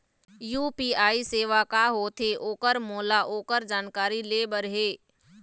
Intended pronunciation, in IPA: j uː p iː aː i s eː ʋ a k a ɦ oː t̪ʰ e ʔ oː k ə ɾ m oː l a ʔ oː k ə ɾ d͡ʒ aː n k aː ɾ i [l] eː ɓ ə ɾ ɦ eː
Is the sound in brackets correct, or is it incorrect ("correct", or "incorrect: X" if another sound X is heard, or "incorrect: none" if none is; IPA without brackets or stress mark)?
correct